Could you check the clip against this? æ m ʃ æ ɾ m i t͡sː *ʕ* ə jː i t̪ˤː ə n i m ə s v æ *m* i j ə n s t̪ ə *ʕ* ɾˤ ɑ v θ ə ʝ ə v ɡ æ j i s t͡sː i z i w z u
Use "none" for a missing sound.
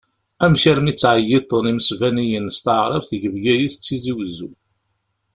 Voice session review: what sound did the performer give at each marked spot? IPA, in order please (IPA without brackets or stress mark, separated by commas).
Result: ʕ, n, ʕ